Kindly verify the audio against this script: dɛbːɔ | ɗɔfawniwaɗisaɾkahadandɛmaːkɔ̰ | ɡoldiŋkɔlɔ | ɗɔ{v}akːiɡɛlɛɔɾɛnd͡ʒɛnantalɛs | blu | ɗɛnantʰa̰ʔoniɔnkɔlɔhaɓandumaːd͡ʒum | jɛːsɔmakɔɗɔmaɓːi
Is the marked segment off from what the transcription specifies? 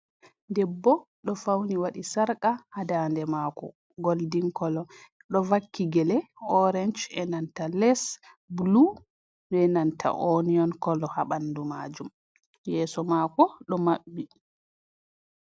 no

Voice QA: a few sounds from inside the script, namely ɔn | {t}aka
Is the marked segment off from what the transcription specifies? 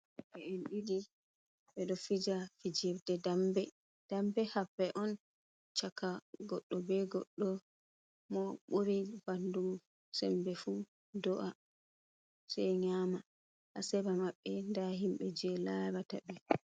yes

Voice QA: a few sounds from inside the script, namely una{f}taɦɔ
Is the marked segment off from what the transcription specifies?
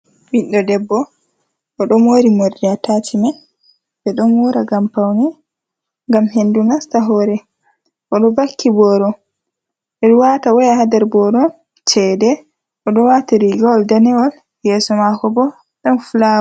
yes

